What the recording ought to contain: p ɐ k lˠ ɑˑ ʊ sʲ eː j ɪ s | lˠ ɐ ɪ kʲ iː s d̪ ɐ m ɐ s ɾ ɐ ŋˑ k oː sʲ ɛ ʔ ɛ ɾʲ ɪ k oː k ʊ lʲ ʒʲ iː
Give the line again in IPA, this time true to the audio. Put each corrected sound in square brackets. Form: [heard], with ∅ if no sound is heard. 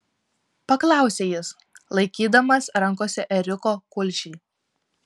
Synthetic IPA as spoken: p ɐ k lˠ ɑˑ ʊ sʲ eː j ɪ s | lˠ ɐ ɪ kʲ iː [∅] d̪ ɐ m ɐ s ɾ ɐ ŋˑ k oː sʲ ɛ ʔ ɛ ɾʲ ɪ k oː k ʊ lʲ [ʃʲ] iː